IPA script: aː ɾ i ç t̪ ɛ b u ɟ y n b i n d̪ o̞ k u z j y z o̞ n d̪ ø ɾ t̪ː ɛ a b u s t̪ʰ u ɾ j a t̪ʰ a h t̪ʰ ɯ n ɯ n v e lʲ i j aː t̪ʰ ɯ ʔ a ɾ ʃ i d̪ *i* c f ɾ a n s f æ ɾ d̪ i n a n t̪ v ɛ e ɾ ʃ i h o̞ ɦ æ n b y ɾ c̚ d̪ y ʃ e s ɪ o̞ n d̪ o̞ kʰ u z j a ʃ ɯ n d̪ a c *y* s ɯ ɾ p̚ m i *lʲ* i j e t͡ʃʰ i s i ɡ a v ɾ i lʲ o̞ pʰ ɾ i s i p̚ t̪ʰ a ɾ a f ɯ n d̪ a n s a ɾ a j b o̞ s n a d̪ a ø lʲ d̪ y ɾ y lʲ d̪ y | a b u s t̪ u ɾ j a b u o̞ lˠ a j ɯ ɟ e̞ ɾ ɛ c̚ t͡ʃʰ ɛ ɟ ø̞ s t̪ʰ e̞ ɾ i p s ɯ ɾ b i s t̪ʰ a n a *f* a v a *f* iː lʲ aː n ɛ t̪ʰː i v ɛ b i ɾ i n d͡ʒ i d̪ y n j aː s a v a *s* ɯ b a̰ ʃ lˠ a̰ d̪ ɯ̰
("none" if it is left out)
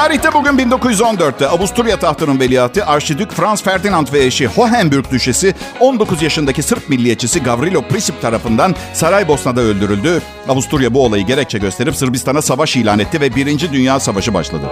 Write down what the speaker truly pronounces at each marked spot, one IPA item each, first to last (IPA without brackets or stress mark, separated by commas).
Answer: y, i, lʲː, s, ʃ, ʃ